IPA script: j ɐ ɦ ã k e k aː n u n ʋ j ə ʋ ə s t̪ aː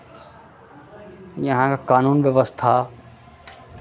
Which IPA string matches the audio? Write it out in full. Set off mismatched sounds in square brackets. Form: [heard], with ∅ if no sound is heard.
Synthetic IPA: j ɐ ɦ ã k [a] k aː n [uː] n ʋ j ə ʋ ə s [t̪ʰ] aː